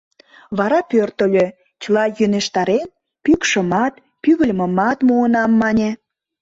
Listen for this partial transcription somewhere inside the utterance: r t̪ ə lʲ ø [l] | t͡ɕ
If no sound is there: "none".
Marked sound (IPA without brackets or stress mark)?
none